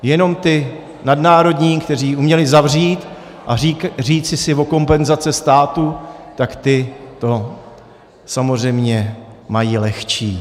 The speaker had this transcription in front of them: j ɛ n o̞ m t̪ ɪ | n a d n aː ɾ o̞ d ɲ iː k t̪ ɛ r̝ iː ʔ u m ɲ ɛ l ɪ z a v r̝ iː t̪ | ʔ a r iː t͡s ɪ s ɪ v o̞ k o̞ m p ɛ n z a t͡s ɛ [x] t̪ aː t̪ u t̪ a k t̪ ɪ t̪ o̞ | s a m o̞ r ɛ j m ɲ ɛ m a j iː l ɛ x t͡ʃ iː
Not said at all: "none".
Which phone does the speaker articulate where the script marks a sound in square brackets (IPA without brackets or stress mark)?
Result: s